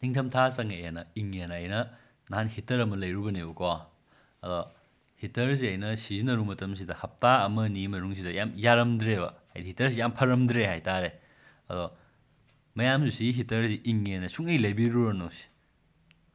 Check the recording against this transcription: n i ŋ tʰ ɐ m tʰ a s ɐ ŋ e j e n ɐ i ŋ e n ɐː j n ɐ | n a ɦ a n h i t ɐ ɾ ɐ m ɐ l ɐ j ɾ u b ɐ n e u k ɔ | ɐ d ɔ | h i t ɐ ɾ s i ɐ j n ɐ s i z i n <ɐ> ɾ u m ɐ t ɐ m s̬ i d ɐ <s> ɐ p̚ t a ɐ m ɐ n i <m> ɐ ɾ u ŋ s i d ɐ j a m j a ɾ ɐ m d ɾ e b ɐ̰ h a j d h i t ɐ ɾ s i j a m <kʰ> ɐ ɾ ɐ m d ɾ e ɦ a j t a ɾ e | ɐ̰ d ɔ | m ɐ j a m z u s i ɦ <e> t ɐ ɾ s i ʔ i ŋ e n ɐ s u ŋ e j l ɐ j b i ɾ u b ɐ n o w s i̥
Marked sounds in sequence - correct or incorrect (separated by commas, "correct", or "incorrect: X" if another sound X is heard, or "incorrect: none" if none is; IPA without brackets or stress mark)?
correct, incorrect: h, correct, incorrect: pʰ, incorrect: i